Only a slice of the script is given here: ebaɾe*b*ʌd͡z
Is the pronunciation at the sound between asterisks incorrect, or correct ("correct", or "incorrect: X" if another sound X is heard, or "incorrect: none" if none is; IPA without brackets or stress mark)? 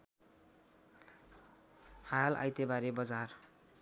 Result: correct